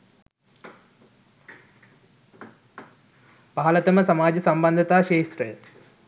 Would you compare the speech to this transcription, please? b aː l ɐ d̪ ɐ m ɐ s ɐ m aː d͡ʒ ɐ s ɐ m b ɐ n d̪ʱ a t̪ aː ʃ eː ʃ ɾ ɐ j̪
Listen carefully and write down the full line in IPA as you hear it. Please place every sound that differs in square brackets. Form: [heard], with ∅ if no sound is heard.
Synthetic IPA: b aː l ɐ [t̪] ɐ m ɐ s ɐ m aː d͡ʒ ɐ s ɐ m b ɐ n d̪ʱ [ɐ] t̪ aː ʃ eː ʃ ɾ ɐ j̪